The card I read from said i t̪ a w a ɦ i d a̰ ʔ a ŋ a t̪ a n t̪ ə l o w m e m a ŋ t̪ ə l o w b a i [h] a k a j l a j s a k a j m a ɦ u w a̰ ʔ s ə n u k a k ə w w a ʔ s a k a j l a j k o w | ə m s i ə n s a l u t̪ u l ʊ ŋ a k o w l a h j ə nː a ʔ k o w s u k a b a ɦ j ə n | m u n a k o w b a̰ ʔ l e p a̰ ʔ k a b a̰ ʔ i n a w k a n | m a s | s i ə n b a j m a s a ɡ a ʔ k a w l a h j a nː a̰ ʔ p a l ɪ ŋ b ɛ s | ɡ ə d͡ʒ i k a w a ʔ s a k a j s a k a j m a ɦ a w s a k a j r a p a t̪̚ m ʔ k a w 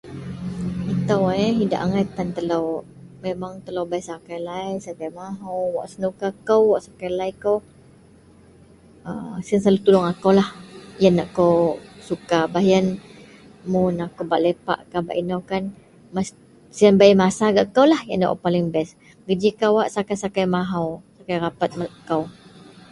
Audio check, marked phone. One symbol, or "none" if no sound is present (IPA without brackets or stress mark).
s